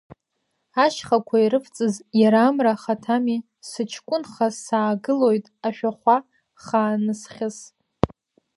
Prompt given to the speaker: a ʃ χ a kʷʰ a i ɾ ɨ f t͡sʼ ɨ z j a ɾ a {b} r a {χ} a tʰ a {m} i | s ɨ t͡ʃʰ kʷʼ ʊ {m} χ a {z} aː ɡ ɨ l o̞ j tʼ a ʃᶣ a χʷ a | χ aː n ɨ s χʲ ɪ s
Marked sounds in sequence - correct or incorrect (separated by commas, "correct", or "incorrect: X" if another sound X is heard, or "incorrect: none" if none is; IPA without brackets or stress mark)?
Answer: incorrect: m, correct, correct, incorrect: n, incorrect: s